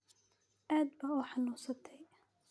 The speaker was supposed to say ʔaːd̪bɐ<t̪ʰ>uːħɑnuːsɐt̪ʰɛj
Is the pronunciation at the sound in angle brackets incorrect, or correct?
incorrect